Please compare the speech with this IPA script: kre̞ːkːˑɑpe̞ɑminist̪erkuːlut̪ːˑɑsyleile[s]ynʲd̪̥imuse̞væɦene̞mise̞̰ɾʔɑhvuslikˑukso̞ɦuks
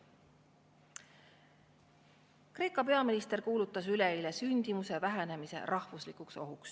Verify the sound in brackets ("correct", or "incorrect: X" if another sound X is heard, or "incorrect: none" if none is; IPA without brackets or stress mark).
correct